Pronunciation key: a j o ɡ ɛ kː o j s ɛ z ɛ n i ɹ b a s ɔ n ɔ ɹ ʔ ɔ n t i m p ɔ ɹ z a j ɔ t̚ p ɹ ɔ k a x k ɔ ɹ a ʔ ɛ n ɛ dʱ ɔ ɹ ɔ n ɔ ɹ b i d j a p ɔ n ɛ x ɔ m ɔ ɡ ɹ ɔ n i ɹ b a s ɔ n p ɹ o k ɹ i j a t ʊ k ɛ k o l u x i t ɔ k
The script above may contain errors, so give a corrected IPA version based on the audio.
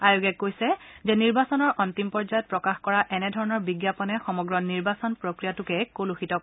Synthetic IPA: a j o ɡ ɛ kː o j s ɛ z ɛ n i ɹ b a s ɔ n ɔ ɹ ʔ ɔ n t i m p ɔ ɹ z a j ɔ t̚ p ɹ ɔ k a x k ɔ ɹ a ʔ ɛ n ɛ dʱ ɔ ɹ ɔ n ɔ ɹ b i ɡ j a p ɔ n ɛ x ɔ m ɔ ɡ ɹ ɔ n i ɹ b a s ɔ n p ɹ o k ɹ i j a t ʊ k ɛ k o l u x i t ɔ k